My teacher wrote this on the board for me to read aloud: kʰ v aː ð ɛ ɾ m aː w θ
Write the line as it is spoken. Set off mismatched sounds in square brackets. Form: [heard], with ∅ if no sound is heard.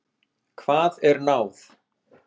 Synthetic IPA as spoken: kʰ v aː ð ɛ ɾ [n] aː w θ